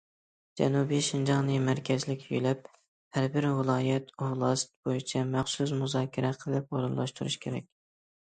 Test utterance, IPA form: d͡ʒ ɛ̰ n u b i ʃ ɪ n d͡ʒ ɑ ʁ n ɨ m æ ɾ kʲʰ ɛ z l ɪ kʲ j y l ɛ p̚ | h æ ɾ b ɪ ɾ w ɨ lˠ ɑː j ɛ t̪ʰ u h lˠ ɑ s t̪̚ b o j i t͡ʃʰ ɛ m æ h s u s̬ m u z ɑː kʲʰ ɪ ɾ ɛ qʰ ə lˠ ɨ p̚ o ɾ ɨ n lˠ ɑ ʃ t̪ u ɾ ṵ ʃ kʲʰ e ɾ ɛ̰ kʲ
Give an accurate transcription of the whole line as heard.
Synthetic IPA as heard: d͡ʒ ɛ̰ n u b i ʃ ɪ n d͡ʒ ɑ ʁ n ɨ m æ ɾ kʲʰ ɛ z l ɪ kʲ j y l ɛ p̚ | h æ ɾ b ɪ ɾ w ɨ lˠ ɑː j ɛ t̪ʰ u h lˠ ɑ s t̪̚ b o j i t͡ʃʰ ɛ m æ χ s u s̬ m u z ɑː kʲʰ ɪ ɾ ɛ qʰ ə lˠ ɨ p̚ o ɾ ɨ n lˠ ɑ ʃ t̪ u ɾ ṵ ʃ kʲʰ e ɾ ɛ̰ kʲ